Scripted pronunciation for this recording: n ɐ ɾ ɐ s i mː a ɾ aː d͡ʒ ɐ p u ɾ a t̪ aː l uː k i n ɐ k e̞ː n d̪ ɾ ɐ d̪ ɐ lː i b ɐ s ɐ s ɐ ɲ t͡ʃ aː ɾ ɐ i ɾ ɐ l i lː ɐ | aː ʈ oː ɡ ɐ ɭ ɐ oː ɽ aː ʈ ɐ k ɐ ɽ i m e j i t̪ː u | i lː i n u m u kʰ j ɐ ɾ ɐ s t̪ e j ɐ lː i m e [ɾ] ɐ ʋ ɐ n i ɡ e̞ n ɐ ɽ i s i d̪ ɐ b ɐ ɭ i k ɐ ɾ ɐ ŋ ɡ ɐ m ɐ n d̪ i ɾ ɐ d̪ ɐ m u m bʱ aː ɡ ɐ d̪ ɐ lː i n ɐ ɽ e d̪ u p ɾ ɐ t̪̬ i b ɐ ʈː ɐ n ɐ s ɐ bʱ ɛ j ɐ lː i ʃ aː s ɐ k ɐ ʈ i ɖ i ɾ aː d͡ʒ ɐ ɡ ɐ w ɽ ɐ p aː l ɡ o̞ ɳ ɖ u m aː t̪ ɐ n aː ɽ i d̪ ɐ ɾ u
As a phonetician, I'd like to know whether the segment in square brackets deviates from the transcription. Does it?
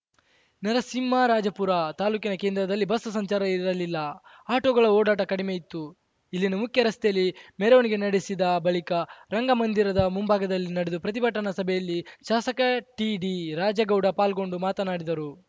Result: no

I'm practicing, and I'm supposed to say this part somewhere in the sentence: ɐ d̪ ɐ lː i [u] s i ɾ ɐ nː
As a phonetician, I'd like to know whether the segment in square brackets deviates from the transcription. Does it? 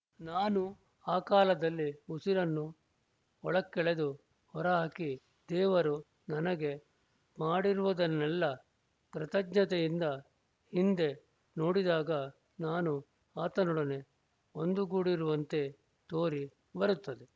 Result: no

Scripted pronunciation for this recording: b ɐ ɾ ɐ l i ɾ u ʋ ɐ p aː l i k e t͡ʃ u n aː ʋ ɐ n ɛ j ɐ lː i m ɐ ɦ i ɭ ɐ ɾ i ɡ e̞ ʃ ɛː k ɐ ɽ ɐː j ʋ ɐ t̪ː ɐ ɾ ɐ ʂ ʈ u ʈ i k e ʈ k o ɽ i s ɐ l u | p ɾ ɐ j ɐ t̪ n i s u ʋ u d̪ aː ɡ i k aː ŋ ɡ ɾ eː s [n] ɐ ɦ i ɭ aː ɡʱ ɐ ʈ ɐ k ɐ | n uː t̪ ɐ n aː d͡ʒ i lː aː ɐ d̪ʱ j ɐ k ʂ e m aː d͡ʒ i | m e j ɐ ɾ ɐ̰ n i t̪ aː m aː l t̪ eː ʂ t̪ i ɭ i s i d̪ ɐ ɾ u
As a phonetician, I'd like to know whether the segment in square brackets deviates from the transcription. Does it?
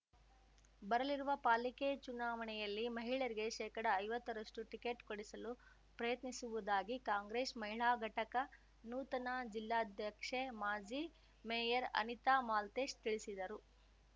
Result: yes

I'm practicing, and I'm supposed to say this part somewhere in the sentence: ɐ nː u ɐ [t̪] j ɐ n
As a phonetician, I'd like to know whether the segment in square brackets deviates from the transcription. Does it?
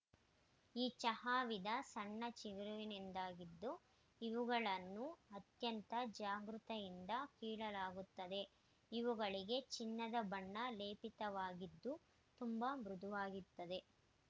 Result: no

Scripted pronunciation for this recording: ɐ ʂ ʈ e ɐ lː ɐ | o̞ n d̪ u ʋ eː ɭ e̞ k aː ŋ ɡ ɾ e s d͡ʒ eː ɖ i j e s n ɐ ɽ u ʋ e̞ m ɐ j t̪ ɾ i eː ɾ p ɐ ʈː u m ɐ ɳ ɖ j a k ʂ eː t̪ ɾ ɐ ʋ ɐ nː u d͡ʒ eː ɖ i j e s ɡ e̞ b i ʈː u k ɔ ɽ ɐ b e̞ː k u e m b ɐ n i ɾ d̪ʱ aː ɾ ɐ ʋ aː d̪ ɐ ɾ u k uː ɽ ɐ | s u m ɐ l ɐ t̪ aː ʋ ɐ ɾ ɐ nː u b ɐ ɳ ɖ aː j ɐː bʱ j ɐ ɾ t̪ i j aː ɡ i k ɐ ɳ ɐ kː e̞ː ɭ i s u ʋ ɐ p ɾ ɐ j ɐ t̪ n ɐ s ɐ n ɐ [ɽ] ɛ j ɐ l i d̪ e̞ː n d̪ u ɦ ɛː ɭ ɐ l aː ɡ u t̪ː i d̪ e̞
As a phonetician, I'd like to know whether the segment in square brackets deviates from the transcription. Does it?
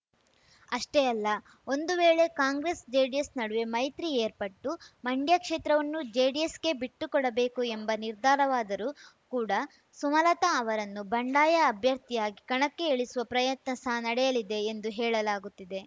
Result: no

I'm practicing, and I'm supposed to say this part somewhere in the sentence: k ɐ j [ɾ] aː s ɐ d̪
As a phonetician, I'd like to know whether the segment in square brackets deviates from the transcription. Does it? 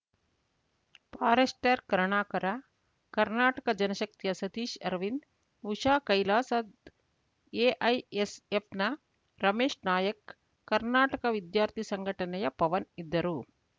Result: yes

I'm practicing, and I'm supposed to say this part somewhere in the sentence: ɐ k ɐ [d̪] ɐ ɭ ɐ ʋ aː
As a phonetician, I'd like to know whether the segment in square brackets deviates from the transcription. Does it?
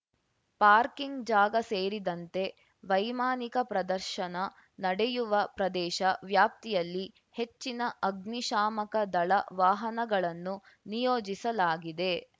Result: no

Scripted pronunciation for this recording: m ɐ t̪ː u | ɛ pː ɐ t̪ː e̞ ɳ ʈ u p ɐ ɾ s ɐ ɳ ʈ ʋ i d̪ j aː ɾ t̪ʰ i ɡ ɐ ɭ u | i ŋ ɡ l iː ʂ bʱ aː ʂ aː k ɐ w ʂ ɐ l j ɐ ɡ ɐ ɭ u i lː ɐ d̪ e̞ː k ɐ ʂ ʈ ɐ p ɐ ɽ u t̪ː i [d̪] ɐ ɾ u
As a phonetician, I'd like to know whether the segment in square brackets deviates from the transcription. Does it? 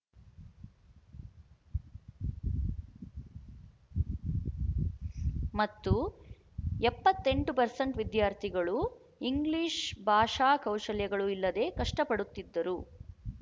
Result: yes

